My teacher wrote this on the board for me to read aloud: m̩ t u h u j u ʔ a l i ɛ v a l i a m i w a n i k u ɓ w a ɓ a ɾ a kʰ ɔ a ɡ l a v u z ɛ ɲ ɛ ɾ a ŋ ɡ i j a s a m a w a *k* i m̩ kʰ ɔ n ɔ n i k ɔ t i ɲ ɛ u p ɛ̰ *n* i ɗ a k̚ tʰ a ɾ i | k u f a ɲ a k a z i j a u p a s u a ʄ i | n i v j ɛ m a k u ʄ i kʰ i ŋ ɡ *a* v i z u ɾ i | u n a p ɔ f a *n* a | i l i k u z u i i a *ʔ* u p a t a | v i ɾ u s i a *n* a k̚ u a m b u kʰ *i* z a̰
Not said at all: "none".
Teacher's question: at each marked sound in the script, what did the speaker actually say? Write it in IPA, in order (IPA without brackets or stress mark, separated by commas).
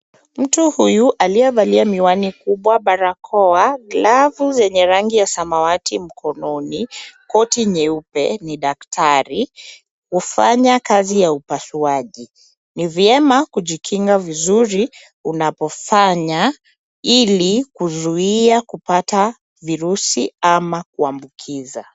t, n, a, ɲ, k, m, i